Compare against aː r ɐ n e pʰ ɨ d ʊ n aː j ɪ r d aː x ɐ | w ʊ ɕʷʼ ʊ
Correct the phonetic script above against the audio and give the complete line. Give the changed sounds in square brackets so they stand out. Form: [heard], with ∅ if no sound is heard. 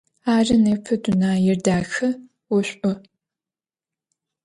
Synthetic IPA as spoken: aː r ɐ n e pʰ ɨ d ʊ n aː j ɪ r d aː x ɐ | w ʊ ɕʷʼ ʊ